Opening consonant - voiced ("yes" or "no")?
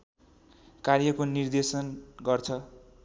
no